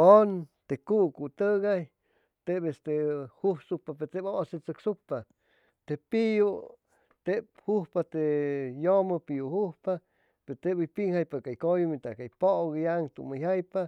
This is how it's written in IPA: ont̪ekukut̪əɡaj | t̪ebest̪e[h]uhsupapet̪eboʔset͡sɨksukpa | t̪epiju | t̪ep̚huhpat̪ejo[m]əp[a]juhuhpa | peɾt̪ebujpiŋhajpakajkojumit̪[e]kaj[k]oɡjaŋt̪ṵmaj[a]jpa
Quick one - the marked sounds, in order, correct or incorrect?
correct, correct, incorrect: i, incorrect: a, incorrect: p, correct

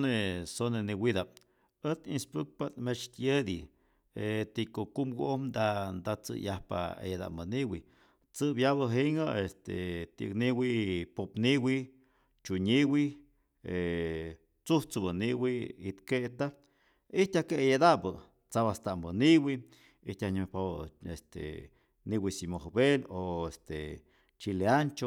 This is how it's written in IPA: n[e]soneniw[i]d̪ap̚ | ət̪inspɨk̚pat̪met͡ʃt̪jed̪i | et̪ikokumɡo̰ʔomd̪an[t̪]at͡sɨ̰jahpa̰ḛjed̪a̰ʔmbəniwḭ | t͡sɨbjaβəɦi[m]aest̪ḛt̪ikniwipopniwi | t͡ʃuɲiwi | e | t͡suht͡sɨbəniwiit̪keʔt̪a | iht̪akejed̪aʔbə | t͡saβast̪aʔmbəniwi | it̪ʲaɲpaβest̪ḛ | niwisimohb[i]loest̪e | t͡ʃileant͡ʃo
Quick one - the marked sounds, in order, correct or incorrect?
correct, correct, incorrect: d̪, incorrect: ŋ, incorrect: e

